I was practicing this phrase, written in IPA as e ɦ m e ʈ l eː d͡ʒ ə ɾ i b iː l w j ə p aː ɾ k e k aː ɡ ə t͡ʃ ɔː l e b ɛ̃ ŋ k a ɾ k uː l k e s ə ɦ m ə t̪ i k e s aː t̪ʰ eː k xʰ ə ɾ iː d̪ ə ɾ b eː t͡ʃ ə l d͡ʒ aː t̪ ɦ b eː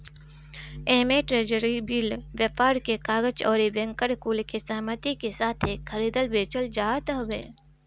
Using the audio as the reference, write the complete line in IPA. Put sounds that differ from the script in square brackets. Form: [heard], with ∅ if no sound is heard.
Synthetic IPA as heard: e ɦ m e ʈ [ɾ] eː d͡ʒ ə ɾ i b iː l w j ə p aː ɾ k e k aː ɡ ə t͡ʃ ɔː [ɾ] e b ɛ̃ ŋ k [ə] ɾ k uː l k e s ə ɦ m ə t̪ i k e s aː t̪ʰ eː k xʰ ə ɾ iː d̪ ə [l] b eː t͡ʃ ə l d͡ʒ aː t̪ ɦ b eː

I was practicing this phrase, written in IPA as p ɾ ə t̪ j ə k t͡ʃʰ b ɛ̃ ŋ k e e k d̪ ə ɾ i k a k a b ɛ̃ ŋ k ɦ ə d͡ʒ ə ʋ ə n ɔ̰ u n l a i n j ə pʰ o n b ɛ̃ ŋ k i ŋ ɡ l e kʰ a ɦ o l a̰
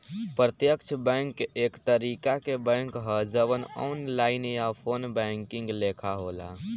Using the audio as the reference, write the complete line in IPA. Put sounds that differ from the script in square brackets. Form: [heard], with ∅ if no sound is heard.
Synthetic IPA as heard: p ɾ ə t̪ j ə k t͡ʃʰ b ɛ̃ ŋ k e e k [t̪] ə ɾ i k a k [e] b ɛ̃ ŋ k ɦ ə d͡ʒ ə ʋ ə n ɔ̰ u n l a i n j [a] pʰ o n b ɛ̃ ŋ k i ŋ ɡ l e kʰ a ɦ o l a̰

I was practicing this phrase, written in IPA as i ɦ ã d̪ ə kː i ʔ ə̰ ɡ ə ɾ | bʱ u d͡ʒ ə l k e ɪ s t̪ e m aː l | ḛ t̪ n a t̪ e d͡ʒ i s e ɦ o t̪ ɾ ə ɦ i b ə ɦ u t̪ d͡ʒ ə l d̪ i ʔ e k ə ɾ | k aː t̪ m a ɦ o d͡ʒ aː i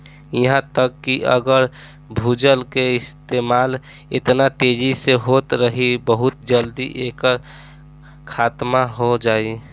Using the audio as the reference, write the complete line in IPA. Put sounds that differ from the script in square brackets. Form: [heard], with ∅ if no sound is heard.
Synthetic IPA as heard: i ɦ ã [t̪] ə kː i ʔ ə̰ ɡ ə ɾ | bʱ u d͡ʒ ə l k e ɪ s t̪ e m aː l | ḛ t̪ n a t̪ e d͡ʒ i s e ɦ o t̪ ɾ ə ɦ i b ə ɦ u t̪ d͡ʒ ə l d̪ i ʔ e k ə ɾ | [kʰ] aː t̪ m a ɦ o d͡ʒ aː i

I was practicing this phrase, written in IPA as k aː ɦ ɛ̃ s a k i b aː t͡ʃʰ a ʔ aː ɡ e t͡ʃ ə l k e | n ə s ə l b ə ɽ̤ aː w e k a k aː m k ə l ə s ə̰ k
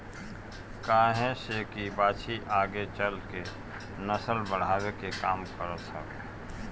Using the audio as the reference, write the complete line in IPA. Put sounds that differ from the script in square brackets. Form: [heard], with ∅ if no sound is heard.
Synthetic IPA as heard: k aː ɦ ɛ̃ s [e] k i b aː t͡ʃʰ [i] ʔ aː ɡ e t͡ʃ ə l k e | n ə s ə l b ə ɽ̤ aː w e k [e] k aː m k ə [ɾ] ə s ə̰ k

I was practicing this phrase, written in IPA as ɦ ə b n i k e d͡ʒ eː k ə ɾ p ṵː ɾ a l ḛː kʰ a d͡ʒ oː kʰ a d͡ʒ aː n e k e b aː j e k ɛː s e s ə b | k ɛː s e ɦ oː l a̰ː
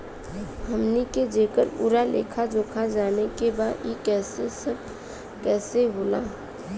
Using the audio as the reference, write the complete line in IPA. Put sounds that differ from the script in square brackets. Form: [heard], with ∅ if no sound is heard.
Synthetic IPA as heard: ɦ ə [m] n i k e d͡ʒ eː k ə ɾ p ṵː ɾ a l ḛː kʰ a d͡ʒ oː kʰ a d͡ʒ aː n e k e b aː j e k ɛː s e s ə b | k ɛː s e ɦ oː l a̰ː

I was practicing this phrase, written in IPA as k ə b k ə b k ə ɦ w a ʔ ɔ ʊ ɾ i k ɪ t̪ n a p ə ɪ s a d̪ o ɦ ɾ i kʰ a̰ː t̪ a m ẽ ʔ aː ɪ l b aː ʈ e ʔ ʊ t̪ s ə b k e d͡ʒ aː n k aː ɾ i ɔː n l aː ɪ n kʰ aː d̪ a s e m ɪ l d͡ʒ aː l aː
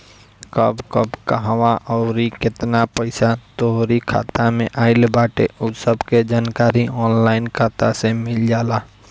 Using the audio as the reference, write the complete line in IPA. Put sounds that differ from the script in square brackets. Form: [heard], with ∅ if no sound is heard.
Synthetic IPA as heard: k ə b k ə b k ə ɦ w a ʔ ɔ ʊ ɾ i k ɪ t̪ n a p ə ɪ s a [t̪] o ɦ ɾ i kʰ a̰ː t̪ a m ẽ ʔ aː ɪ l b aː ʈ e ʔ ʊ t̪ s ə b k e d͡ʒ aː n k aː ɾ i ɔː n l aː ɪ n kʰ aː [t̪] a s e m ɪ l d͡ʒ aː l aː

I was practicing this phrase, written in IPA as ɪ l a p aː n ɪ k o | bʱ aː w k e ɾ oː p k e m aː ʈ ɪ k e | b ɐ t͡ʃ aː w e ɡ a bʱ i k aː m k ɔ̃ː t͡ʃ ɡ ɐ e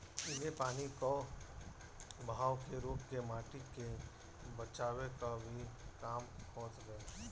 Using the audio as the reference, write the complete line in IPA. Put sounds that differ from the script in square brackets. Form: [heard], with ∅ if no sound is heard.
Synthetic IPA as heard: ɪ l [e] p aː n [i] k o | bʱ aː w k e ɾ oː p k e m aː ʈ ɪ k e | b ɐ t͡ʃ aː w e [k] a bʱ i k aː m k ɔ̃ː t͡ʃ ɡ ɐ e

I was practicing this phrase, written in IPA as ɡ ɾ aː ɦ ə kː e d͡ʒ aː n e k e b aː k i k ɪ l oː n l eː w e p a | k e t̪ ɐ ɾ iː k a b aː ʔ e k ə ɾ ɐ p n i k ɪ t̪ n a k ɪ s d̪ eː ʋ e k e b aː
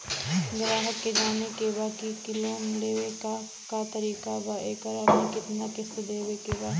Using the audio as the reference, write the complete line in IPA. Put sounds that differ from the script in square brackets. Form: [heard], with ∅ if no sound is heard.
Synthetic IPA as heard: ɡ ɾ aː ɦ ə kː e d͡ʒ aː n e k e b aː k i k ɪ l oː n l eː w e [k] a | k [a] t̪ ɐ ɾ iː k a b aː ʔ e k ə ɾ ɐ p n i k ɪ t̪ n a k ɪ s d̪ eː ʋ e k e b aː

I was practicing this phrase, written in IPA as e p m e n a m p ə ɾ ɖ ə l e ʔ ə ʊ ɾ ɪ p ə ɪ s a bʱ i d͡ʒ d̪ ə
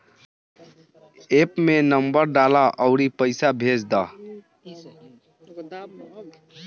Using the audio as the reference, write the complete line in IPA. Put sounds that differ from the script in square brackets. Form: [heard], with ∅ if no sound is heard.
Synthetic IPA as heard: e p m e n [ə] m [b] ə ɾ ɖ [a] l [a] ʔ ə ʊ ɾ [i] p ə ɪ s a bʱ [e] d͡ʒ d̪ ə

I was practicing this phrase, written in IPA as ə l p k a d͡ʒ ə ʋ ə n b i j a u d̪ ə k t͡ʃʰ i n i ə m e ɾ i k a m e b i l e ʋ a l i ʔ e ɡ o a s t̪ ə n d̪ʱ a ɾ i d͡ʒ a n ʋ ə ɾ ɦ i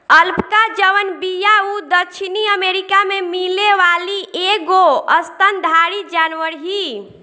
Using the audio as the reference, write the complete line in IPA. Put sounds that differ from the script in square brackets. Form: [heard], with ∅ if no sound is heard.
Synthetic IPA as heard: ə l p k a d͡ʒ ə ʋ ə n b i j a u d̪ ə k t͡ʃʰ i n i ə m e ɾ i k a m e [m] i l e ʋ a l i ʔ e ɡ o [ə] s t̪ ə n d̪ʱ a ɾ i d͡ʒ a n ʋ ə ɾ ɦ i

